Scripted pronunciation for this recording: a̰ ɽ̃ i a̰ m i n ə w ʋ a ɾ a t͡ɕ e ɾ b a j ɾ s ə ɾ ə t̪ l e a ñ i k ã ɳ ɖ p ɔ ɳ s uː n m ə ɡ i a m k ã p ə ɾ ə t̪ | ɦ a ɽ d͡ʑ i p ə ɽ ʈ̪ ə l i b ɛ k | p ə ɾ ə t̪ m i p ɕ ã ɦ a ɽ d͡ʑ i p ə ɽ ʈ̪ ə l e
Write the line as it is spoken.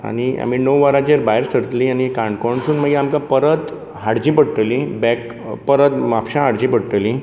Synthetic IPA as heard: a̰ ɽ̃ i a̰ m i n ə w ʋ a ɾ a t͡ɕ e ɾ b a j ɾ s ə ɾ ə t̪ l i a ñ i k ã ɳ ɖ k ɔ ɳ s uː n m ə ɡ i a m k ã p ə ɾ ə t̪ | ɦ a ɽ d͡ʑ i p ə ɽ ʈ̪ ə l i b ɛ k | p ə ɾ ə t̪ m a p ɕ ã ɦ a ɽ d͡ʑ i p ə ɽ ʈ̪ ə l i